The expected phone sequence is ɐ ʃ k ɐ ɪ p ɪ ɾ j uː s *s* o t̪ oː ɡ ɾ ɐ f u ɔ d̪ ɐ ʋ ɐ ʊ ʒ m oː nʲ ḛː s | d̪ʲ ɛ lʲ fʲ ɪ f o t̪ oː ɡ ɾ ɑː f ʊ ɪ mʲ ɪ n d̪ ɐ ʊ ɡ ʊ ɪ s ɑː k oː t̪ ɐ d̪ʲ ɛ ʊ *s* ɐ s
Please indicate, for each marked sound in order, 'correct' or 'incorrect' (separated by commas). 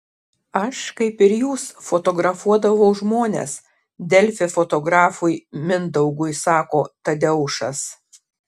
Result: incorrect, incorrect